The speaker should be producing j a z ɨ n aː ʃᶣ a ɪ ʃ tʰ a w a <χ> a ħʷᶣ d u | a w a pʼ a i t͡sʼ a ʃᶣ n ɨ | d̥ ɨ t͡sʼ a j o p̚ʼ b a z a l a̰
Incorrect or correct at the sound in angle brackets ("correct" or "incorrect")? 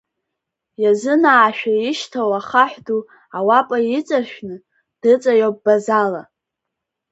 correct